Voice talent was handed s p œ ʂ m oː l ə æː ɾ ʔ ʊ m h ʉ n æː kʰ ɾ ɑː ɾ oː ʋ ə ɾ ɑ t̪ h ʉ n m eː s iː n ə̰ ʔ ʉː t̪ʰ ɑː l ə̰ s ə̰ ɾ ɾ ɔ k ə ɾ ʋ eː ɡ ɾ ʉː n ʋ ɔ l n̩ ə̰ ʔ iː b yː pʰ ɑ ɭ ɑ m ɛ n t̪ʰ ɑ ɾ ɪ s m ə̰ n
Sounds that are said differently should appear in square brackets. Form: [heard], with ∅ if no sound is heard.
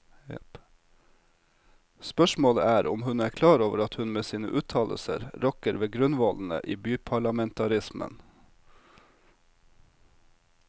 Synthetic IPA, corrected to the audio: s p œ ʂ m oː l ə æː ɾ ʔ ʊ m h ʉ n æː kʰ [l] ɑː ɾ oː ʋ ə ɾ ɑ t̪ h ʉ n m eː s iː n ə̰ ʔ ʉː t̪ʰ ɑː l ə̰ s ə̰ ɾ ɾ ɔ k ə ɾ ʋ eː ɡ ɾ [ʉ] n ʋ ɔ l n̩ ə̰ ʔ iː b yː pʰ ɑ ɭ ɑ m ɛ n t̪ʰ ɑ ɾ ɪ s m ə̰ n

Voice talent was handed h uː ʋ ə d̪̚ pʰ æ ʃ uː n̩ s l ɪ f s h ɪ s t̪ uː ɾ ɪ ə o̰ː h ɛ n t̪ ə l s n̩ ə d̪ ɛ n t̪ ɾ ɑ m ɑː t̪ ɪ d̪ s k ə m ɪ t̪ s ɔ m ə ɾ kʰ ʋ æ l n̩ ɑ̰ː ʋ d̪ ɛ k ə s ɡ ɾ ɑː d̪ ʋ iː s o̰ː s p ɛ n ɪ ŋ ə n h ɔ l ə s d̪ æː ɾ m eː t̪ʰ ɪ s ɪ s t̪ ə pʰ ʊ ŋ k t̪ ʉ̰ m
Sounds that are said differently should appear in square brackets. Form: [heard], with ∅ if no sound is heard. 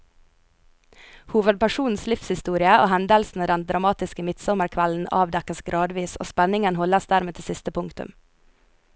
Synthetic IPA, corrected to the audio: h uː ʋ ə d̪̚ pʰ æ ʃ uː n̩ s l ɪ f s h ɪ s t̪ uː ɾ ɪ ə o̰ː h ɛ n [d̪] ə l s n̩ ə d̪ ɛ n [d̪] ɾ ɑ m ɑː t̪ ɪ [∅] s k ə m ɪ t̪ s ɔ m ə ɾ kʰ ʋ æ l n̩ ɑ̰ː ʋ d̪ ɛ k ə s ɡ ɾ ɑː d̪ ʋ iː s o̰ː s p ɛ n ɪ ŋ ə n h ɔ l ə s d̪ æː ɾ m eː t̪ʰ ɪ s ɪ s t̪ ə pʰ ʊ ŋ k t̪ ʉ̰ m

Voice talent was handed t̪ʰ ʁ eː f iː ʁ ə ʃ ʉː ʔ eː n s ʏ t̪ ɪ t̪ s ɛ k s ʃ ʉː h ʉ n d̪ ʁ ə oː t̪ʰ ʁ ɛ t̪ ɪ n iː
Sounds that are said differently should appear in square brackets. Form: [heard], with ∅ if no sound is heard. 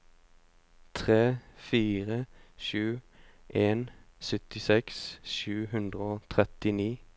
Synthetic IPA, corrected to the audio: t̪ʰ ʁ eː f iː ʁ ə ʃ ʉː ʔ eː n s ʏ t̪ ɪ [∅] s ɛ k s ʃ ʉː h ʉ n d̪ ʁ ə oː t̪ʰ ʁ ɛ t̪ ɪ n iː

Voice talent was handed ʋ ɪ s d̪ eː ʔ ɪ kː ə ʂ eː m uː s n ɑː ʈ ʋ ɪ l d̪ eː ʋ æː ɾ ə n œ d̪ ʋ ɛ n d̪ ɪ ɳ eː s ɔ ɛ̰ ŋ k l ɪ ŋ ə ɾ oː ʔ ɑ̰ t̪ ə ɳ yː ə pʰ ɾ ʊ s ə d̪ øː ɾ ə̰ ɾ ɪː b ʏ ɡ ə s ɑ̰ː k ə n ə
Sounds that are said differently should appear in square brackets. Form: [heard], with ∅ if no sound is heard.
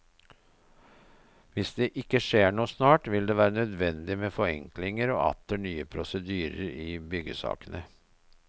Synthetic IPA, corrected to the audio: ʋ ɪ s d̪ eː ʔ ɪ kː ə ʂ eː [ɳ] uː s n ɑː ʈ ʋ ɪ l d̪ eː ʋ æː ɾ ə n œ d̪ ʋ ɛ n d̪ ɪ [m] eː [f] ɔ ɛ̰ ŋ k l ɪ ŋ ə ɾ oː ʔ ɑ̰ t̪ ə ɳ yː ə pʰ ɾ ʊ s ə d̪ [yː] ɾ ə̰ ɾ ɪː b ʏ ɡ ə s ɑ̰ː k ə n ə

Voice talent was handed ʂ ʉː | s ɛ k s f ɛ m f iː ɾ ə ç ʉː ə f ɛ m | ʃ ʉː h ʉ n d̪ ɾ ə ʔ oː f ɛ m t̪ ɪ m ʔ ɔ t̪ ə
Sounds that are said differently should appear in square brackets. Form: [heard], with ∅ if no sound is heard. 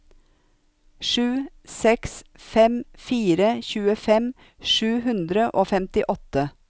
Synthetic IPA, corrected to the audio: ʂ ʉː | s ɛ k s f ɛ m f iː ɾ ə ç ʉː ə f ɛ m | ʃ ʉː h ʉ n d̪ ɾ ə ʔ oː f ɛ m t̪ ɪ [∅] ʔ ɔ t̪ ə

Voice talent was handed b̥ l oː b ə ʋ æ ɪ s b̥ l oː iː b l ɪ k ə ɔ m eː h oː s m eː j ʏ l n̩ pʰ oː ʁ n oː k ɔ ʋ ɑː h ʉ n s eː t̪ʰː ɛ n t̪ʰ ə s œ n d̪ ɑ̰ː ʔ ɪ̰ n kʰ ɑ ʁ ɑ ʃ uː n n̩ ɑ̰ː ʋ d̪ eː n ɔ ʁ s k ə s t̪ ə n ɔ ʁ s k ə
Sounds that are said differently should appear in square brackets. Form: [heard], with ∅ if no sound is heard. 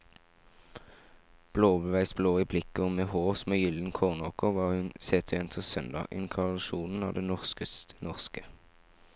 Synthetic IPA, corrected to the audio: b̥ l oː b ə ʋ æ ɪ s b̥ l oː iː b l ɪ k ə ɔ m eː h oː s m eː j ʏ l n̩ [kʰ] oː ʁ n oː k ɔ ʋ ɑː h ʉ n s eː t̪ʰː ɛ n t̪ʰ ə s œ n d̪ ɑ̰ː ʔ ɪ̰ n kʰ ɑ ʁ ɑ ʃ uː n n̩ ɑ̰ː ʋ d̪ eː n ɔ ʁ s k ə s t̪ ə n ɔ ʁ s k ə

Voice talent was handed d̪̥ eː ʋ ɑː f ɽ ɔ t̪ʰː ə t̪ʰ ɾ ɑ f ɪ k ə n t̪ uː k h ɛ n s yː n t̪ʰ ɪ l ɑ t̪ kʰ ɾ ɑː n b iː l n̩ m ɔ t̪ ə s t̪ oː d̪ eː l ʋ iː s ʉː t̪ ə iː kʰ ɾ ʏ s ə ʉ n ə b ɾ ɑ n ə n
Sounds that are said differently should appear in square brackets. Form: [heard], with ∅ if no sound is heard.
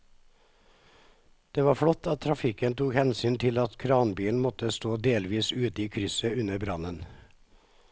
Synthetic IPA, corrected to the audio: d̪̥ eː ʋ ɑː f ɽ ɔ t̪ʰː [ɑ] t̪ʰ ɾ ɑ f ɪ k ə n t̪ uː k h ɛ n s yː n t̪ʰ ɪ l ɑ t̪ kʰ ɾ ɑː n b iː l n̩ m ɔ t̪ ə s t̪ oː d̪ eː l ʋ iː s ʉː t̪ ə iː kʰ ɾ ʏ s ə ʉ n ə b ɾ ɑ n ə n

